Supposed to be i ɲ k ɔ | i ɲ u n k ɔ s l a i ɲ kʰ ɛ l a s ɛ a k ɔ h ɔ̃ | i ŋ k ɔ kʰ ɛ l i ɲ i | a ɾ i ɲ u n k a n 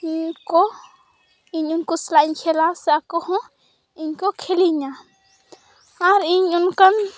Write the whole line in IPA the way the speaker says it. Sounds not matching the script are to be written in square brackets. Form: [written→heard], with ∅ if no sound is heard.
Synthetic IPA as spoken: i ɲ k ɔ | i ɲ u n k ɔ s l a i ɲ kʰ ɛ l a s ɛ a k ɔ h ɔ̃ | i [ŋ→ɲ] k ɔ kʰ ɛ l i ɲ [i→a] | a ɾ i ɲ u n k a n